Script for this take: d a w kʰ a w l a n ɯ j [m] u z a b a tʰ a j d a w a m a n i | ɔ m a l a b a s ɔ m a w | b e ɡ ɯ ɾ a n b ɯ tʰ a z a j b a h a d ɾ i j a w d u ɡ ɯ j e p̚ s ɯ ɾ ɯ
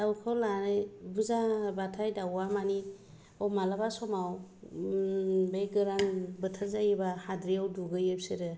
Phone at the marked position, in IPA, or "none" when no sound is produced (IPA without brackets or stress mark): b